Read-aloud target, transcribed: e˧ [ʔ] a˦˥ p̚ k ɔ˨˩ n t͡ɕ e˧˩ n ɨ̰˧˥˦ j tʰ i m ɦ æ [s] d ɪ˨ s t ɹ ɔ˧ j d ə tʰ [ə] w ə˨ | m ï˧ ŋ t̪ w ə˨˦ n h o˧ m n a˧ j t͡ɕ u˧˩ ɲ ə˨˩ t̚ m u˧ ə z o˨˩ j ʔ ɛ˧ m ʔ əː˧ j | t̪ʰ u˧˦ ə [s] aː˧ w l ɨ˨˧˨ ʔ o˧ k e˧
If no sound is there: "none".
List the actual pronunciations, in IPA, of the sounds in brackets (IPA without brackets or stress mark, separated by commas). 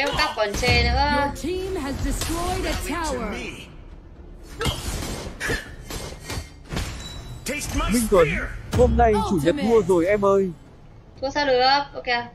k, z, a, s